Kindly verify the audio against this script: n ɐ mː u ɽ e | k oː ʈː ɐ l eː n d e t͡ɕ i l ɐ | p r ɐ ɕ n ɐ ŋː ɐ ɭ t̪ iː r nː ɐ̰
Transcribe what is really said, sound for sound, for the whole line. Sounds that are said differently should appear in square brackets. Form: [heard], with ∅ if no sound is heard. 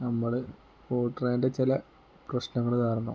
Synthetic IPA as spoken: n ɐ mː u ɽ e | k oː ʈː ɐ [r] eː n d e t͡ɕ i l ɐ | p r ɐ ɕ n ɐ ŋː ɐ ɭ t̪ [aː] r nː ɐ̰